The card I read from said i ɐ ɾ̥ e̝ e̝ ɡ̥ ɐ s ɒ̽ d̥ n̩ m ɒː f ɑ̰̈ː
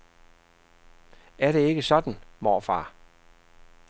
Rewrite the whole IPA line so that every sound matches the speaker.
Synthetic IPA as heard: æ ɐ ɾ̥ e̝ e̝ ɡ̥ ə s ɒ̽ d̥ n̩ m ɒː f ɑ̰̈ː